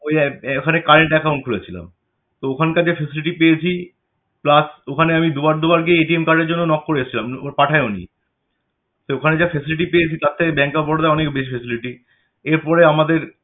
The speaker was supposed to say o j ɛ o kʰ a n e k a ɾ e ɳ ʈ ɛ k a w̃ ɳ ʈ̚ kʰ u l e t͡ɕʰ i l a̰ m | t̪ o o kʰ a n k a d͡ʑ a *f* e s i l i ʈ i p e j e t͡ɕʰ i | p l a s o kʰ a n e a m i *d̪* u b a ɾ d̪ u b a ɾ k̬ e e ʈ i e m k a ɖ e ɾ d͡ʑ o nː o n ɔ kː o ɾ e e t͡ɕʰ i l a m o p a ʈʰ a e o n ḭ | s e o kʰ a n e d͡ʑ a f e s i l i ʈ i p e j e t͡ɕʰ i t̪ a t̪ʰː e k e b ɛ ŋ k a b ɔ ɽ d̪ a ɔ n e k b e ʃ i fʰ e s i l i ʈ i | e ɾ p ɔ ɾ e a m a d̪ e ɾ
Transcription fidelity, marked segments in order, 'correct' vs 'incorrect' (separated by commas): correct, correct